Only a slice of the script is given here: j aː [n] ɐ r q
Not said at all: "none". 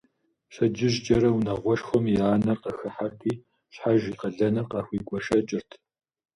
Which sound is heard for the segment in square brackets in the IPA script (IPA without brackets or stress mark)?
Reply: n